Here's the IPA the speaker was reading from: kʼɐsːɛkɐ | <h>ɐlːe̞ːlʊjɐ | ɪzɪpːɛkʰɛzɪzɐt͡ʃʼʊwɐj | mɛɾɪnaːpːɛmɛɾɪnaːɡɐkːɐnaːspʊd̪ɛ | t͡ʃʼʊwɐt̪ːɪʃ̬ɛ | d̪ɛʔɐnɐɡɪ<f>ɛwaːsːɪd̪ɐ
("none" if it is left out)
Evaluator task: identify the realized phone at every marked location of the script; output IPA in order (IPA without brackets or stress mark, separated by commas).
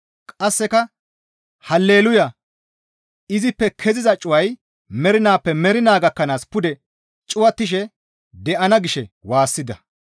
h, ʃ